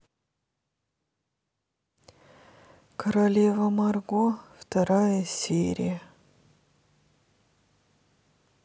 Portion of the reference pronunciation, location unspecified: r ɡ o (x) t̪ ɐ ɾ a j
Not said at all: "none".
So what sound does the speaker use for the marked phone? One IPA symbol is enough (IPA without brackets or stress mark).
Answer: f